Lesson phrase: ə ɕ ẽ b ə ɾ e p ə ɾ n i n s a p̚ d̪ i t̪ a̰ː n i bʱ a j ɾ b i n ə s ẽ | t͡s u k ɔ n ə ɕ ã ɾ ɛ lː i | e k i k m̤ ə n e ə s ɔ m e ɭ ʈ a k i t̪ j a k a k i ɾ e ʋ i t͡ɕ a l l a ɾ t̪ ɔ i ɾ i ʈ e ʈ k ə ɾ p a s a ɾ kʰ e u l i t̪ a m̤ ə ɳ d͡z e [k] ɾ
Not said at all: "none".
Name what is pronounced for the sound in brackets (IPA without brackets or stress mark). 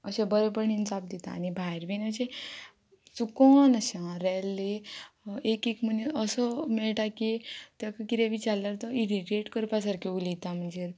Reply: none